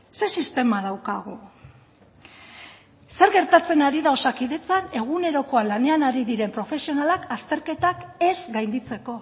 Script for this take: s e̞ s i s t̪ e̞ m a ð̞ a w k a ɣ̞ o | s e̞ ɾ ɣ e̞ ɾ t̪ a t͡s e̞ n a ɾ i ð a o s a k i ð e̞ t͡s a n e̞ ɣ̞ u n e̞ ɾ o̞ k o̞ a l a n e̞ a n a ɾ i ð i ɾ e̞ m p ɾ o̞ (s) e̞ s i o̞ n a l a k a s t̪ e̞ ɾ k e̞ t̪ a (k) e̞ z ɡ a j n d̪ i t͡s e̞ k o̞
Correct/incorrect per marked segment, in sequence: incorrect: f, correct

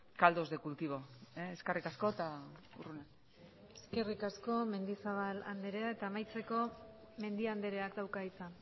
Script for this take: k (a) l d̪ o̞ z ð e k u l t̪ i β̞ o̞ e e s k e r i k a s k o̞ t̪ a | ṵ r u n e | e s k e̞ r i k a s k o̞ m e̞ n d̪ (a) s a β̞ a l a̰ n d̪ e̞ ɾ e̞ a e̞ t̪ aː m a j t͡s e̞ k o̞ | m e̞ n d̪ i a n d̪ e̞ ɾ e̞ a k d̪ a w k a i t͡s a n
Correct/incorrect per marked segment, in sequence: correct, incorrect: i

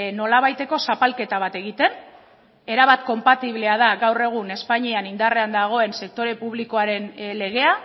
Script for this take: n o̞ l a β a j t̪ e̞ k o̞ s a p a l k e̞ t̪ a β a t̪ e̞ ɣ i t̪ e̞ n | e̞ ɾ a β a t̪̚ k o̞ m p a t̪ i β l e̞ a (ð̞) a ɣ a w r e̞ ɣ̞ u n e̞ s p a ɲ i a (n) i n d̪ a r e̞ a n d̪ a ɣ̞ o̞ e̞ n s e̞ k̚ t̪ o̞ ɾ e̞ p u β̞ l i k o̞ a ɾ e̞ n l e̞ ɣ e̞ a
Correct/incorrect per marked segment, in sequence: correct, correct

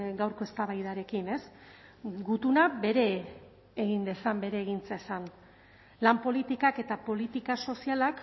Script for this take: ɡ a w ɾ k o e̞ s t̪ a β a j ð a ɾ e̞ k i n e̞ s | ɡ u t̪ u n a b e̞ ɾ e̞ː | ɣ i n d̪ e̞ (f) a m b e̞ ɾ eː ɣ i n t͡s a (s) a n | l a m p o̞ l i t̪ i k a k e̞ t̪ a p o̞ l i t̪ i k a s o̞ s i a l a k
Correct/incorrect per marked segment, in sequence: incorrect: s, correct

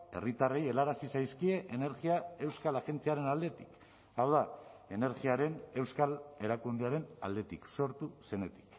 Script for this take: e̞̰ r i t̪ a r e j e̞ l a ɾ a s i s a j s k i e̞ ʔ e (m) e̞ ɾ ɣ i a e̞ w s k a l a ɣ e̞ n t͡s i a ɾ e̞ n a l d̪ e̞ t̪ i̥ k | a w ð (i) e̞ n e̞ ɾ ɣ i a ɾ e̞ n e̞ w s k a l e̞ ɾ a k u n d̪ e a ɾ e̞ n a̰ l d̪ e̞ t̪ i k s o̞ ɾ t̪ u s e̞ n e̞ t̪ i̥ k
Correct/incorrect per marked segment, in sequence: incorrect: n, incorrect: a

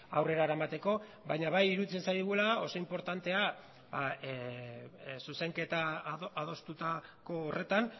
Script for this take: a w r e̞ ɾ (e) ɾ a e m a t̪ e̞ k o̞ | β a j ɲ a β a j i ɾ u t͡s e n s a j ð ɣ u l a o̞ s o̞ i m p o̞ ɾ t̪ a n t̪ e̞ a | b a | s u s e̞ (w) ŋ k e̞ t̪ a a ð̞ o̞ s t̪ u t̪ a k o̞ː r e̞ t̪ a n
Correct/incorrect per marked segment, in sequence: incorrect: a, incorrect: none

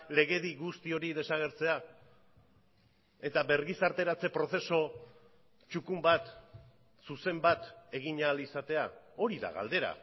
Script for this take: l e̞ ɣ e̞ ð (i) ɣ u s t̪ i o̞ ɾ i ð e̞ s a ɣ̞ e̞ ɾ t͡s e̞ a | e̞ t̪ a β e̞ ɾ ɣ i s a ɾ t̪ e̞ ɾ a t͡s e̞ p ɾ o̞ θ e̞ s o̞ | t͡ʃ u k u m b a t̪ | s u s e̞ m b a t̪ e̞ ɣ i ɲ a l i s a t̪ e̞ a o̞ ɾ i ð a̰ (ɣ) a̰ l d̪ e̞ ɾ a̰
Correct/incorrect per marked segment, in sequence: correct, correct

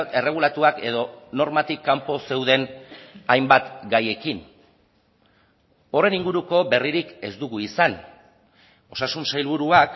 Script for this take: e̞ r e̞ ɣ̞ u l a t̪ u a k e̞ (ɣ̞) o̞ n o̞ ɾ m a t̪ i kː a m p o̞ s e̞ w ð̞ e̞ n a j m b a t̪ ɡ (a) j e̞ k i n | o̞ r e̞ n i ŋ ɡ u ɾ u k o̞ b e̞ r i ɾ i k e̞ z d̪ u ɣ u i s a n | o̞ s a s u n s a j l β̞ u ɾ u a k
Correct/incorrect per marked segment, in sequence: incorrect: ð̞, correct

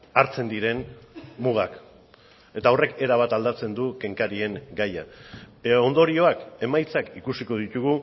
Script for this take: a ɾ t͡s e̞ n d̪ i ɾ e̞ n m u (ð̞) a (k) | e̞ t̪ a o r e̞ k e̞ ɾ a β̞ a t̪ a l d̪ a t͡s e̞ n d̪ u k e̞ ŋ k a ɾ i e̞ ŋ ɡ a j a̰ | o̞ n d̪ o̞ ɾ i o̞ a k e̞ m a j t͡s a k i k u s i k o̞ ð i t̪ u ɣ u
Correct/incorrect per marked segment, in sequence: incorrect: ɣ̞, correct

